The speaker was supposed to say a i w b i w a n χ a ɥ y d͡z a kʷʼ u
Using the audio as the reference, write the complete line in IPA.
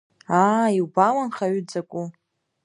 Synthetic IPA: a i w b a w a n χ a ɥ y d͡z a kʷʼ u